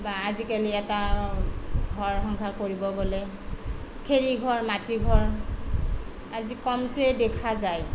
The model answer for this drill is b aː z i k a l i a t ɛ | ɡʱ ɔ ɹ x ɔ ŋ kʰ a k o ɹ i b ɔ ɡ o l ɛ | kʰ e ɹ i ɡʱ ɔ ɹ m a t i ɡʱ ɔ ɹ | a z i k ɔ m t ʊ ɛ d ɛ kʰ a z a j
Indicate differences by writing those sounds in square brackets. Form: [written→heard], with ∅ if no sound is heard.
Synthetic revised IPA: b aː z i k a l i [a→ɛ] t [ɛ→a] | ɡʱ ɔ ɹ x ɔ ŋ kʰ a k o ɹ i b ɔ ɡ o l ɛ | kʰ e ɹ i ɡʱ ɔ ɹ m a t i ɡʱ ɔ ɹ | a z i k ɔ m t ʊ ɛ d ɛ kʰ a z a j